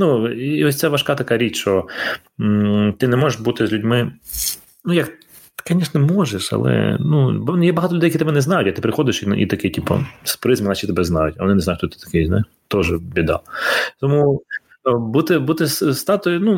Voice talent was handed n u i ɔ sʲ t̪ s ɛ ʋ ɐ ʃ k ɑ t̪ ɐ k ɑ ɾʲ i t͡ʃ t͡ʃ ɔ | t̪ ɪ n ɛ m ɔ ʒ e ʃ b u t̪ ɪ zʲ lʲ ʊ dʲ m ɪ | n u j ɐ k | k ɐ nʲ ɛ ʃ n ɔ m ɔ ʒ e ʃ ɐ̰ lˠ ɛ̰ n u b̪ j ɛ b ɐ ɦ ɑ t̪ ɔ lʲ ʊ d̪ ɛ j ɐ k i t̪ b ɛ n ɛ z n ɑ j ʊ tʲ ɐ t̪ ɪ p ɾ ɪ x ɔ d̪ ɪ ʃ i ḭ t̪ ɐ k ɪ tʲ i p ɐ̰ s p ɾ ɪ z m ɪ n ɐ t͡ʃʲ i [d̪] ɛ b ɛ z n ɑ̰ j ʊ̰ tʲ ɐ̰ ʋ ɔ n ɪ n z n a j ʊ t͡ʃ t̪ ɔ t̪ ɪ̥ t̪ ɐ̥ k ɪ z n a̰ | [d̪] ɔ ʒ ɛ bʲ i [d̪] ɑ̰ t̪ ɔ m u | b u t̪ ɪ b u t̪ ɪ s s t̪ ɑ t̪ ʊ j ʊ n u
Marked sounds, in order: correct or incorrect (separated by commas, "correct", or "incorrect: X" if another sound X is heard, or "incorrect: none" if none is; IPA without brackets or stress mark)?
incorrect: t̪, incorrect: t̪, correct